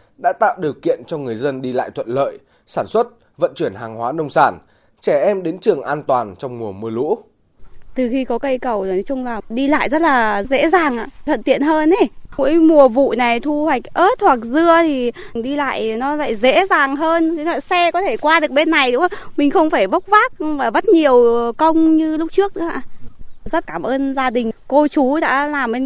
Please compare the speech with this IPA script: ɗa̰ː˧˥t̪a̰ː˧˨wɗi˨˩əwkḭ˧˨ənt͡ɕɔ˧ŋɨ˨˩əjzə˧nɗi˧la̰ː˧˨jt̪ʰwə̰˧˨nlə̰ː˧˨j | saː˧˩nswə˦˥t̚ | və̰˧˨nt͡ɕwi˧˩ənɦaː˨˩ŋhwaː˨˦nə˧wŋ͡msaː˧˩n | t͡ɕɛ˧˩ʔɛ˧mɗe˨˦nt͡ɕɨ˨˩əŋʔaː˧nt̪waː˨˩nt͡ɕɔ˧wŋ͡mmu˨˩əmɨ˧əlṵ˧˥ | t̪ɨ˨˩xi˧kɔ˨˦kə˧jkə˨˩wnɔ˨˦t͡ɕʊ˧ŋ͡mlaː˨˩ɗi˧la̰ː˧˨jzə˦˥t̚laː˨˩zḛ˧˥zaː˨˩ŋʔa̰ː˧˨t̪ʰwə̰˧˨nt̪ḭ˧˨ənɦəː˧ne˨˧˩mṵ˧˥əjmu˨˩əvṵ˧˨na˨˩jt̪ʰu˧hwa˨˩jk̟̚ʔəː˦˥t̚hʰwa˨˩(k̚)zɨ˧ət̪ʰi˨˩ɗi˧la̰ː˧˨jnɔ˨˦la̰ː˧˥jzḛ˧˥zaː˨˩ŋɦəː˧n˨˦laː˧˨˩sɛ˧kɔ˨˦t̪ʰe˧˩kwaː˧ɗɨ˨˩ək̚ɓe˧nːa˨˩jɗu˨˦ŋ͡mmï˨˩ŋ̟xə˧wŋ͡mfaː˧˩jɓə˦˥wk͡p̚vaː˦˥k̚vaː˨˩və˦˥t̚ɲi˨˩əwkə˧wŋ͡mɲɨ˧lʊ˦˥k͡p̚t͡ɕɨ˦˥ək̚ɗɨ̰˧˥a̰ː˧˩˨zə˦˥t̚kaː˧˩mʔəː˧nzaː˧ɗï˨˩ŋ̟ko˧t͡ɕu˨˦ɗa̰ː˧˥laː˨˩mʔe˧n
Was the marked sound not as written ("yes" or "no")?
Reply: no